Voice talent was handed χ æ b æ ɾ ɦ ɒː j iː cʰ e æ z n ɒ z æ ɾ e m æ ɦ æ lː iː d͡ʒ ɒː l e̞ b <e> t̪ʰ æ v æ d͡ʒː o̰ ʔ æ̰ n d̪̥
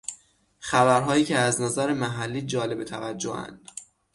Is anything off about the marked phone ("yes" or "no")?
no